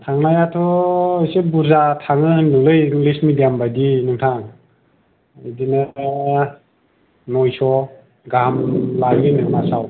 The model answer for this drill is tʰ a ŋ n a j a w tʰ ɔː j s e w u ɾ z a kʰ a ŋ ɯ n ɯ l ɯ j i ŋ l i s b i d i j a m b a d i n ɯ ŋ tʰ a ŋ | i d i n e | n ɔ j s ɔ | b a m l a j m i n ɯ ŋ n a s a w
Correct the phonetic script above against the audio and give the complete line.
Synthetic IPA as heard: tʰ a ŋ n a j a tʰ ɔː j s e b u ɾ z a tʰ a ŋ ɯ n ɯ l ɯ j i ŋ l i s m i d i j a m b a d i n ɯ ŋ tʰ a ŋ | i d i n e | n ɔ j s ɔ | ɡ a m l a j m i n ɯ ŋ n a s a w